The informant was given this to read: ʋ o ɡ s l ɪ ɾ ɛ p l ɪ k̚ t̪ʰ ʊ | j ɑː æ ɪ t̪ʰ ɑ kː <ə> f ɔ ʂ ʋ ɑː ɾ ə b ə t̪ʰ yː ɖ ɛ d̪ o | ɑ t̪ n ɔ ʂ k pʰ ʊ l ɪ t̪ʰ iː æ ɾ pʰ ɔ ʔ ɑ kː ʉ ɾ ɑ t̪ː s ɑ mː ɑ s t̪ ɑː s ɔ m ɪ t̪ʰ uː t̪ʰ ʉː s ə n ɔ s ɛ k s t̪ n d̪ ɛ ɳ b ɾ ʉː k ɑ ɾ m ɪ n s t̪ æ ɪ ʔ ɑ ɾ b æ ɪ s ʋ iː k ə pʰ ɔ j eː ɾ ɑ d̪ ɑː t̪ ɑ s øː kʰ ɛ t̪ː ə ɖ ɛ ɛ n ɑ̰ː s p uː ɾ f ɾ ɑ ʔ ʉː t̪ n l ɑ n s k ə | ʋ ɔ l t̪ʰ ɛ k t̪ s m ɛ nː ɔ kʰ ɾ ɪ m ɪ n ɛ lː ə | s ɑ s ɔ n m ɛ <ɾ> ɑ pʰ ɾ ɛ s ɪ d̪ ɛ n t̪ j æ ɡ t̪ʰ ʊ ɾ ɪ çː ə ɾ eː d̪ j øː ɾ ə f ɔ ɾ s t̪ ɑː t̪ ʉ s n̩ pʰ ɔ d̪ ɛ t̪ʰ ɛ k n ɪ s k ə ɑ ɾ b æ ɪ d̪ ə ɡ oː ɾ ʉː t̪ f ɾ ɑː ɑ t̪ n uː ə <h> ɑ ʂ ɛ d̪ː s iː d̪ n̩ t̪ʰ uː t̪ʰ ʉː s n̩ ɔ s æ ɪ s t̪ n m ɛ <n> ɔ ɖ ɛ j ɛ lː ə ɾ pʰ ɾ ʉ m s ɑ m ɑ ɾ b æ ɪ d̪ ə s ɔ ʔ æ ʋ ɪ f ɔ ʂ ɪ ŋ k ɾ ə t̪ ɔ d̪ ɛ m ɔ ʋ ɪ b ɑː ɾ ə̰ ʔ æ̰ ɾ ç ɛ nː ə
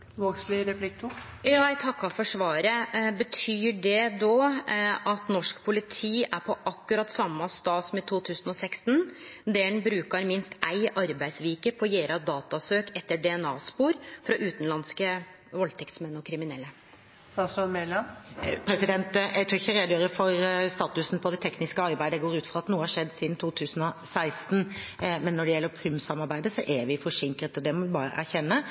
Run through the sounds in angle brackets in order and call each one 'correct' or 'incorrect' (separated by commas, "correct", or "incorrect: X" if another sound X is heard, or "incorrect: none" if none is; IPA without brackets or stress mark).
incorrect: ɑ, incorrect: l, correct, incorrect: nː